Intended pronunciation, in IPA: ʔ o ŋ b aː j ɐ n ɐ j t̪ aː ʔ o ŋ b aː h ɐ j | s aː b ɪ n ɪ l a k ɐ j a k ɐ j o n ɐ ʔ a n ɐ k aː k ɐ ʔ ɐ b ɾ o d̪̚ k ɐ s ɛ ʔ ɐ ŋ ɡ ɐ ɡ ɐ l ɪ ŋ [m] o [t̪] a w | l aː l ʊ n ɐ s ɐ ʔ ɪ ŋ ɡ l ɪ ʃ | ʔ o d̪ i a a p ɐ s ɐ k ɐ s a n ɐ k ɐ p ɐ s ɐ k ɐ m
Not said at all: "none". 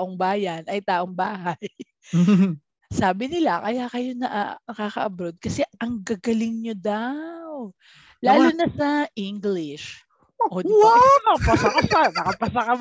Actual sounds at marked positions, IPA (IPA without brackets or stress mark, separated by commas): ɲ, d̪